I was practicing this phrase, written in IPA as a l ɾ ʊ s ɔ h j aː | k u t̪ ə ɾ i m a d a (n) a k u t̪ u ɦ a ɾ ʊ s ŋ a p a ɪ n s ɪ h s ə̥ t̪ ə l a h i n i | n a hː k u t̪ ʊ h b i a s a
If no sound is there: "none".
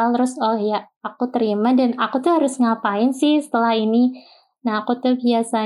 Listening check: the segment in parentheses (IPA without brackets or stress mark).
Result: n